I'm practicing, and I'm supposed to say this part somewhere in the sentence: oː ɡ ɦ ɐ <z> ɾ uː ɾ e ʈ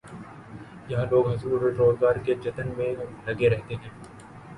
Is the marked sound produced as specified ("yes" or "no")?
yes